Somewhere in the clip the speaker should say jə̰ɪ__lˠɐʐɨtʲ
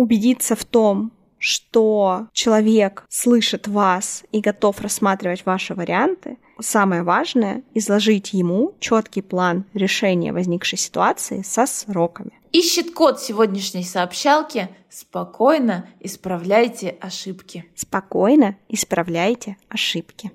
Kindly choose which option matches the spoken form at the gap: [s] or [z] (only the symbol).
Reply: z